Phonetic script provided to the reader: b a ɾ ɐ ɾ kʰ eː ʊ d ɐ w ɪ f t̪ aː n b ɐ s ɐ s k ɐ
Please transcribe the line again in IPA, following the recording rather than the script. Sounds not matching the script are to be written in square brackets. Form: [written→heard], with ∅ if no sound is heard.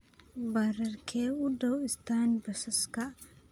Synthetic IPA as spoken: b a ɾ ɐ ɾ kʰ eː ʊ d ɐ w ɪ [f→s] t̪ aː n b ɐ s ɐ s k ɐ